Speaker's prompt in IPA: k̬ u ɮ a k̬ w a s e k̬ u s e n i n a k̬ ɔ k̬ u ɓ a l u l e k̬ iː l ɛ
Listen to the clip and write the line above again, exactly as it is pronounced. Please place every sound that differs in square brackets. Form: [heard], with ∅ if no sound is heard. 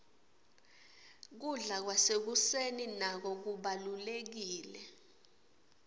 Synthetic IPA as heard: k̬ u ɮ a k̬ w a s e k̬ u s e n i n a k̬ ɔ k̬ u ɓ a l u l e k̬ iː l ɛ